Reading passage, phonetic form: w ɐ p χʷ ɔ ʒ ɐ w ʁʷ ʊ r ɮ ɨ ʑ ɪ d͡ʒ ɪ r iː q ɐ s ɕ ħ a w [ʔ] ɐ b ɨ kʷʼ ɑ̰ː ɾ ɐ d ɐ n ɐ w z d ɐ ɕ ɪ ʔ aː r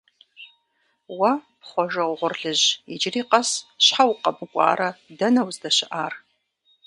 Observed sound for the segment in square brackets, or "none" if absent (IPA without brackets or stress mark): q